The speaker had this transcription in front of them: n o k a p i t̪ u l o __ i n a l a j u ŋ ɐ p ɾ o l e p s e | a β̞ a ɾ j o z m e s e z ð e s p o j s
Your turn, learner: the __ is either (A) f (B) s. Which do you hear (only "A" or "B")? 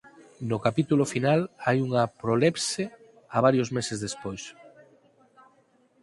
A